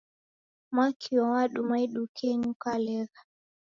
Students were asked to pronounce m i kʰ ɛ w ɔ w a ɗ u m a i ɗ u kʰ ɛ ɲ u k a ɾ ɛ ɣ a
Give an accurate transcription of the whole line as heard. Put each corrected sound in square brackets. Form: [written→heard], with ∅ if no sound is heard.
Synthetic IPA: m [i→a] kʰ [ɛ→i] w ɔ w a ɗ u m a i ɗ u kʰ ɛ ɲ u k a [ɾ→l] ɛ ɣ a